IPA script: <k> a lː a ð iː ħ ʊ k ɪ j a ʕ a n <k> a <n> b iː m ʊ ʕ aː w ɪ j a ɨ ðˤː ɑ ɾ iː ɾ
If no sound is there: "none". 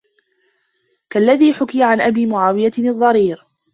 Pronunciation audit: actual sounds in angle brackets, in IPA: k, ʔ, none

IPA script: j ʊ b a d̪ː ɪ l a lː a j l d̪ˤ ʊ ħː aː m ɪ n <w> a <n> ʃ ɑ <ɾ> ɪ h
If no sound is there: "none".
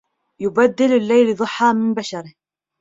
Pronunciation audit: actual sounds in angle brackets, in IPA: b, none, ɾ

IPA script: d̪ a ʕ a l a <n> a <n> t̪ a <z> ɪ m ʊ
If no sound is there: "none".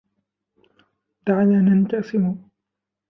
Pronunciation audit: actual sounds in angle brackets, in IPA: n, n, s

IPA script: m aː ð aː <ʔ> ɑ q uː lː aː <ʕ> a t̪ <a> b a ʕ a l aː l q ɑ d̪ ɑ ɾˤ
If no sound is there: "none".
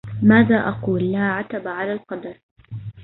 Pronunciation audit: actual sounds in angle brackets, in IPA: ʔ, ʕ, a

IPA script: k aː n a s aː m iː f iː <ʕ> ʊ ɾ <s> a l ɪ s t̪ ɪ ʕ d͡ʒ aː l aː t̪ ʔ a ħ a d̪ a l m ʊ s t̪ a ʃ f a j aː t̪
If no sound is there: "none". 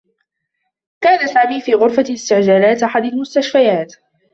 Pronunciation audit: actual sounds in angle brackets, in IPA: ɣ, f

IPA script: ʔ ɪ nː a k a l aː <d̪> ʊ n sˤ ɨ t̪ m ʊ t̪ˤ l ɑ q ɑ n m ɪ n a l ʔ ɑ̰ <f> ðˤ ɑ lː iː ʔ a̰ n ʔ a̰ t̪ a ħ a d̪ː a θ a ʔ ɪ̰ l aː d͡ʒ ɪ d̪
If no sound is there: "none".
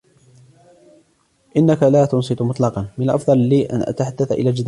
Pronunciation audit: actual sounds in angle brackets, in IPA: t̪, f

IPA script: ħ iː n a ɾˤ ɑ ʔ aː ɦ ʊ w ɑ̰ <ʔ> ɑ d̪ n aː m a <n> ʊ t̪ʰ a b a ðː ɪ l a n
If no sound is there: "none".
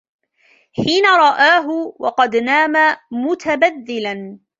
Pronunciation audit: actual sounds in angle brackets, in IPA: q, m

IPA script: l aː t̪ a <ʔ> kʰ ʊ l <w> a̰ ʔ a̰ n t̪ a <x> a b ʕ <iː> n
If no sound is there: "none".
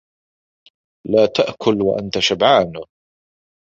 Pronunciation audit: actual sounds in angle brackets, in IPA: ʔ, w, ʃ, aː

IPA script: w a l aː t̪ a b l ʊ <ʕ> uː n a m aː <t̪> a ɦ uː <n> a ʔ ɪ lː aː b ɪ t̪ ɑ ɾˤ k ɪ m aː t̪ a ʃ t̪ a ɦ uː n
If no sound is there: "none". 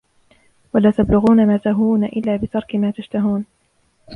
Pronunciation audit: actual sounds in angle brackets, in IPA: ɣ, t̪, n

